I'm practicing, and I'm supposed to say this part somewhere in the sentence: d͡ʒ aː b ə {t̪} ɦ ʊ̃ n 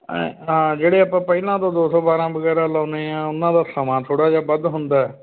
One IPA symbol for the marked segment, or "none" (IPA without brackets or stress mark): d̪